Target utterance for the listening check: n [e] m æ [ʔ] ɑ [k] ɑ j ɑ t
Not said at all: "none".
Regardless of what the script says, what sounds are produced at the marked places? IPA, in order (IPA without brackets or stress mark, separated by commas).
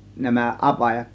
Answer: æ, ʔ, p